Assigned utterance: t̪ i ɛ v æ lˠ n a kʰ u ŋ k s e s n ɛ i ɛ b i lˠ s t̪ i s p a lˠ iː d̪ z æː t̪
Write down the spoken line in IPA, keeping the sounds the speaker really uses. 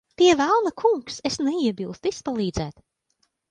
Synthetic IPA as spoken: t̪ i ɛ v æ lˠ n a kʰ u ŋ k s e s n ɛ i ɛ b i lˠ s t̪ i s p a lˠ iː d̪ z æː t̪